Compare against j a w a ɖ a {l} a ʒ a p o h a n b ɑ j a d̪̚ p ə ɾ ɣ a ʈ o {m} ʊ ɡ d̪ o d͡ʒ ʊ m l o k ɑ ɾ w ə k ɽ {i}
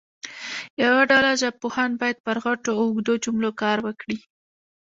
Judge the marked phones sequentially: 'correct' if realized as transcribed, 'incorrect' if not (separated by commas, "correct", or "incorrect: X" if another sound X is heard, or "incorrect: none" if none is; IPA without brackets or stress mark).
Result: correct, incorrect: none, correct